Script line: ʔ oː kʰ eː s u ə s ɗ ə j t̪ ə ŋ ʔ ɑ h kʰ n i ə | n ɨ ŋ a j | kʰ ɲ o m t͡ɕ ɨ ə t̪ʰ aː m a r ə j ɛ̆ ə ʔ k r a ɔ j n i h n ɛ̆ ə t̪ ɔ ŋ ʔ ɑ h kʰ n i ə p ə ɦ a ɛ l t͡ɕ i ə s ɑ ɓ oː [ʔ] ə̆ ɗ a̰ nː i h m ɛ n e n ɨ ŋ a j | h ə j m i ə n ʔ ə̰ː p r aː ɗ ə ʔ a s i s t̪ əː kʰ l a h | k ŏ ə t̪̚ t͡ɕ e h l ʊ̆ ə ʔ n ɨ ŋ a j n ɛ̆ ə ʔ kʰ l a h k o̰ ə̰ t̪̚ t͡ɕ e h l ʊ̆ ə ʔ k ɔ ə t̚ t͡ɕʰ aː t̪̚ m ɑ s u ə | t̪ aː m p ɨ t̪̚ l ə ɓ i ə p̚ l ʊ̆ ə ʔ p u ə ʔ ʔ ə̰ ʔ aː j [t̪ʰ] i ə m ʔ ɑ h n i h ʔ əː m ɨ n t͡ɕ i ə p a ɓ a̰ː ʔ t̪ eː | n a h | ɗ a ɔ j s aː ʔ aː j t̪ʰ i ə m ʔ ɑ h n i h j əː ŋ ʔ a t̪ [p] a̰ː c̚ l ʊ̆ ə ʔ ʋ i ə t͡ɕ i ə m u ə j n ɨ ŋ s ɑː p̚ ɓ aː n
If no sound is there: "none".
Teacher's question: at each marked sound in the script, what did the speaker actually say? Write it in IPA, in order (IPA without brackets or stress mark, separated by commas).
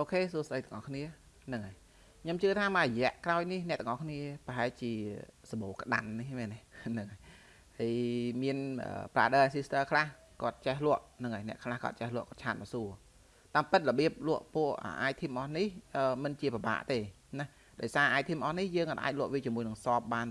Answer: k, t̪ʰ, ʔ